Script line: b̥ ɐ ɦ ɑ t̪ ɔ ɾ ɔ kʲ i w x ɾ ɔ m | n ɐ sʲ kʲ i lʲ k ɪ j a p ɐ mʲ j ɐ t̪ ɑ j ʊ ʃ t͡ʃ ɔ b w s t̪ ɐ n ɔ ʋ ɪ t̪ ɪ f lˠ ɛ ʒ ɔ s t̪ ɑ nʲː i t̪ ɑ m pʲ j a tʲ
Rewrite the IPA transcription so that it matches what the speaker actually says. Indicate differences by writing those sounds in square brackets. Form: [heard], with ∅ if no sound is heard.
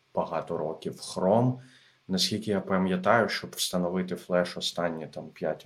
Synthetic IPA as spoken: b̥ ɐ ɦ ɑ t̪ ɔ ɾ ɔ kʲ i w x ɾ ɔ m | n ɐ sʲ kʲ i lʲ k ɪ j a p ɐ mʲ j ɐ t̪ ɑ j ʊ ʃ t͡ʃ ɔ b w s t̪ ɐ n ɔ ʋ ɪ t̪ ɪ f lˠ ɛ [ʃ] ɔ s t̪ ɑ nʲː i t̪ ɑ m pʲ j a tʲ